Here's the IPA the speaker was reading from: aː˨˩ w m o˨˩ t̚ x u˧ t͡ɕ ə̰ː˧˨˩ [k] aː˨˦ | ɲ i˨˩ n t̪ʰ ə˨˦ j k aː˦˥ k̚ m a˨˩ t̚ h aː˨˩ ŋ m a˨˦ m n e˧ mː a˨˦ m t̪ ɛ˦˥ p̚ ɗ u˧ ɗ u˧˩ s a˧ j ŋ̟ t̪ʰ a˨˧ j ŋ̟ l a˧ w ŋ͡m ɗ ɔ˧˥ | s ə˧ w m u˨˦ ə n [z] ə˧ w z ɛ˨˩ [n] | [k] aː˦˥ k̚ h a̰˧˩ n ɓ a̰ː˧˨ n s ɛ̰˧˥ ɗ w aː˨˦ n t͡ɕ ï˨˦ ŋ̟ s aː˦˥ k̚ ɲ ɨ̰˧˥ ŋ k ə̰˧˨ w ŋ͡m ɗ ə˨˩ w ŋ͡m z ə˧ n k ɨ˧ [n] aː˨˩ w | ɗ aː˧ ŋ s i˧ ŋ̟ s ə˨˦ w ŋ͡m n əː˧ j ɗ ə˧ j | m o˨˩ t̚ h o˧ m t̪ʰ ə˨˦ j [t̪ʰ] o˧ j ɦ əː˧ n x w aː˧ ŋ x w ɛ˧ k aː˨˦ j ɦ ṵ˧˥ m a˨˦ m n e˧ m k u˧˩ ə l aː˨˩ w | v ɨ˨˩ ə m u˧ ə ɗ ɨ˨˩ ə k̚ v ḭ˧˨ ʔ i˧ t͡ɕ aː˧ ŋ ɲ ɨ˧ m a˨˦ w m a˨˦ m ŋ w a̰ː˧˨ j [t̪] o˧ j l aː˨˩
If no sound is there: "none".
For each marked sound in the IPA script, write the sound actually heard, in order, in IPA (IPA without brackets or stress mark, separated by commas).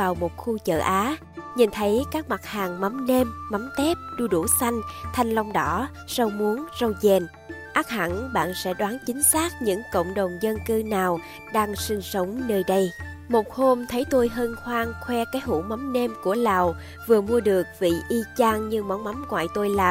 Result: ʔ, z, n, ʔ, n, t̪, t̪